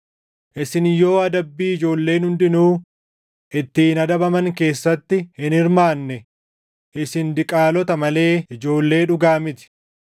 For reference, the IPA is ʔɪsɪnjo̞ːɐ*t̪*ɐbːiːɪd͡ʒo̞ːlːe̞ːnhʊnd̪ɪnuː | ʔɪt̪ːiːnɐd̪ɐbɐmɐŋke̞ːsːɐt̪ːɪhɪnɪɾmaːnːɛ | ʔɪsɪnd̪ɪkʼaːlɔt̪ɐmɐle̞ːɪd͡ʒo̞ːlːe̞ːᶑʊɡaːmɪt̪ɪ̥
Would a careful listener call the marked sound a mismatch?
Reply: yes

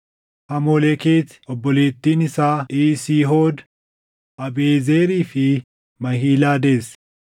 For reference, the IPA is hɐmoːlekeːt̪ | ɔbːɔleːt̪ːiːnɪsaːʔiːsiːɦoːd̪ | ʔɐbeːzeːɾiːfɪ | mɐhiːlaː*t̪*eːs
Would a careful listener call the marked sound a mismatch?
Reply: yes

